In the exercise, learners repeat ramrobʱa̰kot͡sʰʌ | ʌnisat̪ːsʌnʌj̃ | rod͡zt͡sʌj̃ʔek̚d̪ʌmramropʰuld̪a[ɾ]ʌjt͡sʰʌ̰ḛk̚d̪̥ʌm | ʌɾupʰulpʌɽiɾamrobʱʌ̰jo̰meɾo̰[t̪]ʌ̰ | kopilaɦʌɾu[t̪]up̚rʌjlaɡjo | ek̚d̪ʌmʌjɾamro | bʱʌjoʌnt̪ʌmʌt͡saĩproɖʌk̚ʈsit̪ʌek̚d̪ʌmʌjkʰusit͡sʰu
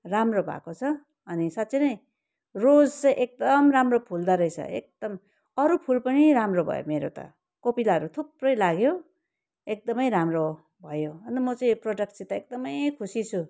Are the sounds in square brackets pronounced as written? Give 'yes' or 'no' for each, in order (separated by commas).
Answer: yes, yes, no